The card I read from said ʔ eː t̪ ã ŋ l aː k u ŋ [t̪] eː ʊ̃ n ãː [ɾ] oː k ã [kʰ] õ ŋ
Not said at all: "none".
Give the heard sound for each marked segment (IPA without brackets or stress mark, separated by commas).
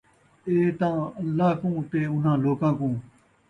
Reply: t̪, l, k